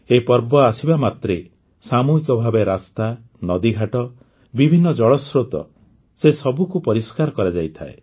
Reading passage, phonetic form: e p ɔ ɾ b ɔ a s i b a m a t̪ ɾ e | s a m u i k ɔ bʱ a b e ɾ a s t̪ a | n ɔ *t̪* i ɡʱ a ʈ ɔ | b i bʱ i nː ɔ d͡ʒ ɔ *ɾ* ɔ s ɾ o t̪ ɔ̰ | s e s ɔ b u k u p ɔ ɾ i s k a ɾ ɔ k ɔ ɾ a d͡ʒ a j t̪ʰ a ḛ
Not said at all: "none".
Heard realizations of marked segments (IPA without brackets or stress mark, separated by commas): d̪, ɭ